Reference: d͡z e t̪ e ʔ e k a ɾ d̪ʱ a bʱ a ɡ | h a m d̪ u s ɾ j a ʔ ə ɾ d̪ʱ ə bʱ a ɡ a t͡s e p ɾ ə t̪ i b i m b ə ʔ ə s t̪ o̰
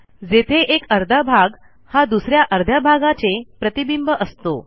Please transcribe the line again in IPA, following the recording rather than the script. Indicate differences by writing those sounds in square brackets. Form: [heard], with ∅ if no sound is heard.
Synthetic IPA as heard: d͡z e [t̪ʰ] e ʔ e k [ə] ɾ d̪ʱ a bʱ a ɡ | h a [∅] d̪ u s ɾ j a ʔ ə ɾ d̪ʱ [a] bʱ a ɡ a t͡s e p ɾ ə t̪ i b i m b ə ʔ ə s t̪ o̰